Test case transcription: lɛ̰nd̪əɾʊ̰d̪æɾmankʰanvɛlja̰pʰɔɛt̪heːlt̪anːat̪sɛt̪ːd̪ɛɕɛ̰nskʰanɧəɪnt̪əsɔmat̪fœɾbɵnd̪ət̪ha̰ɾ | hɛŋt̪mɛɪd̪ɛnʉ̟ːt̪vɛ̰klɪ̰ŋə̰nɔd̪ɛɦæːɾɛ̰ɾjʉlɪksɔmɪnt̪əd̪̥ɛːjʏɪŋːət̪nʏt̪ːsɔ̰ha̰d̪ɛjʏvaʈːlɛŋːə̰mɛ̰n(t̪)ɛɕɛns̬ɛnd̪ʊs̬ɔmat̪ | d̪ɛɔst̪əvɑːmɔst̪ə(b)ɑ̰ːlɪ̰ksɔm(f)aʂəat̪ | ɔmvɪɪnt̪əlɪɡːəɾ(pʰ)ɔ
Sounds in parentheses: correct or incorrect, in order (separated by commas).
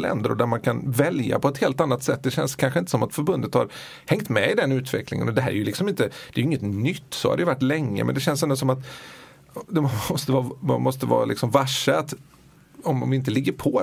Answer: incorrect, incorrect, incorrect, correct